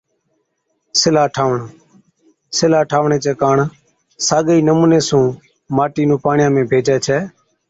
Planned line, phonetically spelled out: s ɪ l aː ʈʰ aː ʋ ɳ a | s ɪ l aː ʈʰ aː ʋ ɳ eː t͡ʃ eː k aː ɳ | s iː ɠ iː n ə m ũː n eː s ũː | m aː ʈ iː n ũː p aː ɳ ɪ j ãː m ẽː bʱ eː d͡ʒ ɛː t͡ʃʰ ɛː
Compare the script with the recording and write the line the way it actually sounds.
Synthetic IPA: s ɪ l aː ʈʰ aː ʋ ɳ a | s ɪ l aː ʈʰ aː ʋ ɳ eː t͡ʃ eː k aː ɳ | s aː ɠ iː n ə m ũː n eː s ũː | m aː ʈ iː n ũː p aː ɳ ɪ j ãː m ẽː bʱ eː d͡ʒ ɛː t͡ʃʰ ɛː